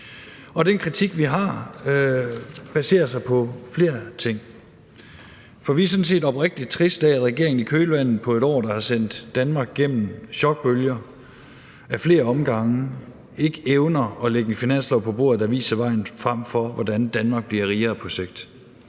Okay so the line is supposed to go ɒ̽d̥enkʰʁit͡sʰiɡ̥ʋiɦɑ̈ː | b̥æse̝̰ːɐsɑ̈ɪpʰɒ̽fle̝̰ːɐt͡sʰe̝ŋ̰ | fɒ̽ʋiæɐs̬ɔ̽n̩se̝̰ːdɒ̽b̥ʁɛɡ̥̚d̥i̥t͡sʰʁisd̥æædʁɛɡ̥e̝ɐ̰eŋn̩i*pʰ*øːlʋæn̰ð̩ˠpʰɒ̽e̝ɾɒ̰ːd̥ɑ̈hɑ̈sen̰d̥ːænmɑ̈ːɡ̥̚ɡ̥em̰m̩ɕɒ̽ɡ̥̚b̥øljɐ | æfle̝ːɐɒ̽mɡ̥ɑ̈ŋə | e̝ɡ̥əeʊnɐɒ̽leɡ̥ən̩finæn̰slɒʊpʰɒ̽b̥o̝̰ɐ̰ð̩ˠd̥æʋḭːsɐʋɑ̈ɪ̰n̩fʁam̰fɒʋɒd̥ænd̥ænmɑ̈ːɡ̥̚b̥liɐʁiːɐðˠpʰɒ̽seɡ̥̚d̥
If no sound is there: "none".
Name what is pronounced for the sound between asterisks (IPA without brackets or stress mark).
kʰ